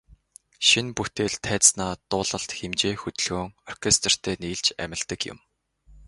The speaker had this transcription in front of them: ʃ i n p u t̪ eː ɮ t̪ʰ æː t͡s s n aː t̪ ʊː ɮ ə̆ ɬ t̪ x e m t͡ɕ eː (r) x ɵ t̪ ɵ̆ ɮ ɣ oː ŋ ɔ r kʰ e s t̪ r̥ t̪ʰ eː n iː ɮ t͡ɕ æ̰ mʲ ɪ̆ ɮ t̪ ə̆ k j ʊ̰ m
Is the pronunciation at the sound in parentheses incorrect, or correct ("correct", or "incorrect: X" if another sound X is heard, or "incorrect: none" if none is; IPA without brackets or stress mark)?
incorrect: none